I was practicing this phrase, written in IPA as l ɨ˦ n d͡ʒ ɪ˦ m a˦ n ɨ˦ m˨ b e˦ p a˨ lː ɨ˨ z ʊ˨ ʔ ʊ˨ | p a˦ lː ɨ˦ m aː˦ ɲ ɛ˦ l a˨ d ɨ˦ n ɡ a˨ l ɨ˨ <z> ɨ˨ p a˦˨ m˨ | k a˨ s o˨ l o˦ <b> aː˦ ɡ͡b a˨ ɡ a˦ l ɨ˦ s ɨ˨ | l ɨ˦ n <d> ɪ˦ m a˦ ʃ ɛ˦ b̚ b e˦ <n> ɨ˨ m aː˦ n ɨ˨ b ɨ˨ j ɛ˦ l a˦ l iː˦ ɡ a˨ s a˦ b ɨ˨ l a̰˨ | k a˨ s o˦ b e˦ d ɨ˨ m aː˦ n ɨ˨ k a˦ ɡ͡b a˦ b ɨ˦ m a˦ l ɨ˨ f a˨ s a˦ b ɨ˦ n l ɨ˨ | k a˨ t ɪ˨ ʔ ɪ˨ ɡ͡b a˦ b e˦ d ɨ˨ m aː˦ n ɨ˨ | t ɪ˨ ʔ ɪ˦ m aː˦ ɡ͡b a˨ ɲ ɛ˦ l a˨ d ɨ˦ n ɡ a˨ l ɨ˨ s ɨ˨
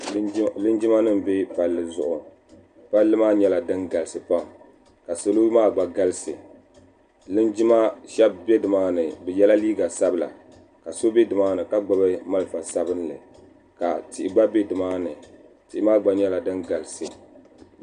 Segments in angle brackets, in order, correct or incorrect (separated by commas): incorrect, incorrect, incorrect, incorrect